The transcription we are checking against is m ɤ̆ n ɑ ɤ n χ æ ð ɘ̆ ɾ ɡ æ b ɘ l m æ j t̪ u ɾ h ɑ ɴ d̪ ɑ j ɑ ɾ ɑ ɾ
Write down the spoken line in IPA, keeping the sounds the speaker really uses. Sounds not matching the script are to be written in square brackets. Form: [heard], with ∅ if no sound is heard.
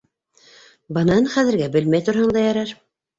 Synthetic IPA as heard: [b] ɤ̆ n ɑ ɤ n χ æ ð ɘ̆ ɾ ɡ æ b ɘ l m æ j t̪ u ɾ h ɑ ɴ d̪ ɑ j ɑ ɾ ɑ ɾ